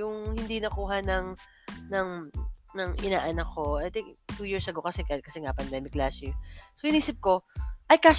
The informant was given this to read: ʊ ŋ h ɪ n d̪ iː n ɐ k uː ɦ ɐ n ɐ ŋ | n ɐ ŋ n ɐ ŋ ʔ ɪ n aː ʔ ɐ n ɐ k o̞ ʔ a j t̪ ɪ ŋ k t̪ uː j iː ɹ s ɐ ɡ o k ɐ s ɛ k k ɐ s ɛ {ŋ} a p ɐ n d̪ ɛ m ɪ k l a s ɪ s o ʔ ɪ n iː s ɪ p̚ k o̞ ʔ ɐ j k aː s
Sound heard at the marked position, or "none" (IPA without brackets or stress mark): ŋ